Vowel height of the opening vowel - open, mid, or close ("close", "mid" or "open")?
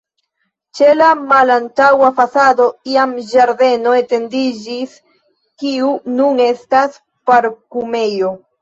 mid